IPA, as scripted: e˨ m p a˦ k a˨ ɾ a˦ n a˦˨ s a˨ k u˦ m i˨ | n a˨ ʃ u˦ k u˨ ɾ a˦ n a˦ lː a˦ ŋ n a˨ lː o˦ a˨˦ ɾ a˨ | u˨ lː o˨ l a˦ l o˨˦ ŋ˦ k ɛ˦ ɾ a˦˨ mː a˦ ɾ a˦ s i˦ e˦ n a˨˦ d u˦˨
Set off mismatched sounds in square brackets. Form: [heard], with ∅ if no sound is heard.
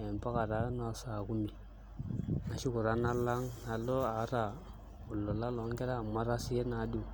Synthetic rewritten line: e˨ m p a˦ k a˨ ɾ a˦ n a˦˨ s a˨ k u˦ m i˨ | n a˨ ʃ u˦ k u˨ ɾ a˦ n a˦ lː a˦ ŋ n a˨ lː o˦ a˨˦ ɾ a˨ | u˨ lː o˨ l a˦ l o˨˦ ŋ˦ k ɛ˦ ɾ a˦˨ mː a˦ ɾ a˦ s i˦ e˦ n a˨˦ d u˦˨